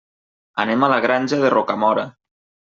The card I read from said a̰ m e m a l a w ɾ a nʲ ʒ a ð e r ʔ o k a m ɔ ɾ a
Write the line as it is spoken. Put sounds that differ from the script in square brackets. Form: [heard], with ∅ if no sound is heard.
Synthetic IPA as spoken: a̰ [n] e m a l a [ɣ] ɾ a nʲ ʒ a ð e r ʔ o k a m ɔ ɾ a